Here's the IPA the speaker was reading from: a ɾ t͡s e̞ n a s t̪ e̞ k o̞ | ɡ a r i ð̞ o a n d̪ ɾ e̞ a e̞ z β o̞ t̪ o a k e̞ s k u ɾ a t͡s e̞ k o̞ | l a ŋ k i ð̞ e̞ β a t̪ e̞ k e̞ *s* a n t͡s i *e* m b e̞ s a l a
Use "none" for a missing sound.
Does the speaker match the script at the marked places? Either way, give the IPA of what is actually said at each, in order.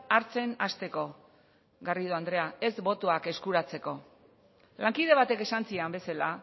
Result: s, a

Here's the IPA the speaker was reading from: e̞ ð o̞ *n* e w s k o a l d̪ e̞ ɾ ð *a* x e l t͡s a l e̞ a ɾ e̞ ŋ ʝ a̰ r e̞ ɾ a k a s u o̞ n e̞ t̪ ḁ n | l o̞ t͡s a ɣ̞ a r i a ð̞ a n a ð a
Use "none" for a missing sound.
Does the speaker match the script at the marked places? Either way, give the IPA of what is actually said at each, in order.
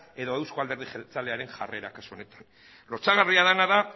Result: none, i

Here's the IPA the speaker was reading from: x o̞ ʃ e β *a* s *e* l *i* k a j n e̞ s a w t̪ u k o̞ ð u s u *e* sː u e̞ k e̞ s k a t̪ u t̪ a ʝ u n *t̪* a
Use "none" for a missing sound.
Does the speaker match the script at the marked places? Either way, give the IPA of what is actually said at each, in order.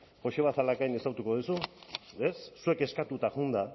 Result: a, a, a, e, d̪

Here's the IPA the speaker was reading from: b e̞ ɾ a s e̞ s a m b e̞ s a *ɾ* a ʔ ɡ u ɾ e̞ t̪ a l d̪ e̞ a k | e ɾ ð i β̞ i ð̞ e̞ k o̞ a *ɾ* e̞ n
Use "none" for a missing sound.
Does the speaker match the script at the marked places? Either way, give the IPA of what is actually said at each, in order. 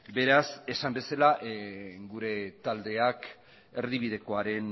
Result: l, ɾ

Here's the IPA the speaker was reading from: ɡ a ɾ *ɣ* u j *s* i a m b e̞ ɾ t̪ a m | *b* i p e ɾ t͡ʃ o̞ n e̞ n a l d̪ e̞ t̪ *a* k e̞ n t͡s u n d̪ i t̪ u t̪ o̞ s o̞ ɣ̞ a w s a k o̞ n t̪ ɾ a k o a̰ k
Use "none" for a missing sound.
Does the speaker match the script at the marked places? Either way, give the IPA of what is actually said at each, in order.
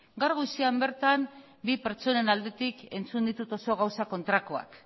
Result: ɣ, s, b, i

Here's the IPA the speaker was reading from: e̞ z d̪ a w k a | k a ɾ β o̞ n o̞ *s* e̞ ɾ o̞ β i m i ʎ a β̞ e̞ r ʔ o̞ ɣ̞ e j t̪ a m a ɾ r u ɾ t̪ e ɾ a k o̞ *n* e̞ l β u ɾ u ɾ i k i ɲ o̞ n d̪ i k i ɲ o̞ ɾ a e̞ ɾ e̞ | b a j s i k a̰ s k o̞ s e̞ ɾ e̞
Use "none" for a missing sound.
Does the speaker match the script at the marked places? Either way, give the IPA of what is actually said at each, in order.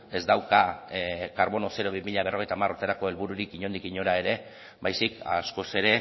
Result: s, none

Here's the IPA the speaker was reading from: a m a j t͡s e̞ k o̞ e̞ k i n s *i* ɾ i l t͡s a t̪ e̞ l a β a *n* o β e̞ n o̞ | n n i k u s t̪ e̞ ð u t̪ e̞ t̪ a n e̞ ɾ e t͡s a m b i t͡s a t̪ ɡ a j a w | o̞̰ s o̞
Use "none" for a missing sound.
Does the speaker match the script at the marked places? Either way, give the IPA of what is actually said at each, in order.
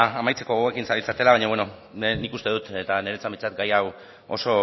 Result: a, ɲ

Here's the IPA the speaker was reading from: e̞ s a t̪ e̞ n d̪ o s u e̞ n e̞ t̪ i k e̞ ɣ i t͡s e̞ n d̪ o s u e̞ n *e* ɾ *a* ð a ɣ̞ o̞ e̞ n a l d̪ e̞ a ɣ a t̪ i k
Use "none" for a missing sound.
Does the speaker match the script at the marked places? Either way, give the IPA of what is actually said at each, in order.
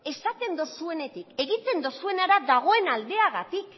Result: a, a

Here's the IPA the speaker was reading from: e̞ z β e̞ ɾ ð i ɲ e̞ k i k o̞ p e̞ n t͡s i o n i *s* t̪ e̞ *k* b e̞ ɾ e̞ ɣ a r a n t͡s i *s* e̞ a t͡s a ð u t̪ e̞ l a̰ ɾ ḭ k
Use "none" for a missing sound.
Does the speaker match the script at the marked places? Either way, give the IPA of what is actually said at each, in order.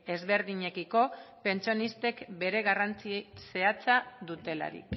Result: s, k, s

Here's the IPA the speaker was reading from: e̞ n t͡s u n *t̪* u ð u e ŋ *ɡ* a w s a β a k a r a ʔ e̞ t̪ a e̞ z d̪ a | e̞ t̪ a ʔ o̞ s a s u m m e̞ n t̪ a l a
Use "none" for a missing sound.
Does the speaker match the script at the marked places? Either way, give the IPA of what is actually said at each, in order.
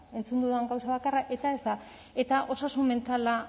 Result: d̪, ɡ

